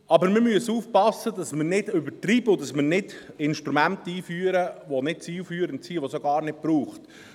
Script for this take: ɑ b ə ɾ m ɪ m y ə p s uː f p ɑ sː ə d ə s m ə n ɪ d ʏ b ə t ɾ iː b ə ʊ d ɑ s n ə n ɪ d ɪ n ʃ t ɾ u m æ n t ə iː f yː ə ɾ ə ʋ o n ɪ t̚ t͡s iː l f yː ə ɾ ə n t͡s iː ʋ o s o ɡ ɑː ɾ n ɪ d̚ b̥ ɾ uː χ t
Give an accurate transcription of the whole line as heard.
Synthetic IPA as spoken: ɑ b ə ɾ m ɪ m y ə s uː f p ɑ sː ə d ɑ s m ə n ɪ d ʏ b ə t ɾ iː b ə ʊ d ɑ s m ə n ɪ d ɪ n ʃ t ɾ u m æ n t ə iː f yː ə ɾ ə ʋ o n ɪ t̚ t͡s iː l f yː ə ɾ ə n t͡s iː ʋ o s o ɡ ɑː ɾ n ɪ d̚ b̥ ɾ uː χ t